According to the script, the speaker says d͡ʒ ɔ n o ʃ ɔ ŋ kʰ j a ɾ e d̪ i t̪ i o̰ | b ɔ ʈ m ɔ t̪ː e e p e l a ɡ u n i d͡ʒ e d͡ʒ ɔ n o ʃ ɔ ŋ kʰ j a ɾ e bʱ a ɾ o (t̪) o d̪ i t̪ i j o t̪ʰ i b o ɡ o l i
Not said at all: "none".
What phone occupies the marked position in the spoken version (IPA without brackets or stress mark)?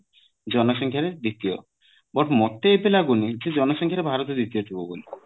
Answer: t̪